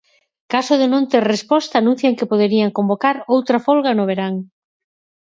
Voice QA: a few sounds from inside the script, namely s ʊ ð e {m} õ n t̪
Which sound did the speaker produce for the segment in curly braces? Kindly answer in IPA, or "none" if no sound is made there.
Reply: n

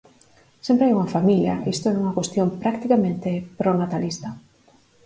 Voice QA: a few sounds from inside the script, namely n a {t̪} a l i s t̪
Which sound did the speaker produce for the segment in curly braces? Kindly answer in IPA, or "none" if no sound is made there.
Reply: t̪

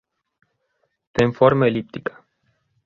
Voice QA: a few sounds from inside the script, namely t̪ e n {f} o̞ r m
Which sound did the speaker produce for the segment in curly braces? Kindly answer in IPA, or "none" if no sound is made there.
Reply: f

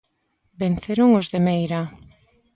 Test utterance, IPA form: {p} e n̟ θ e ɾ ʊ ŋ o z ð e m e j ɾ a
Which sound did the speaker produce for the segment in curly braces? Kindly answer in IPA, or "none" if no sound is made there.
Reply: b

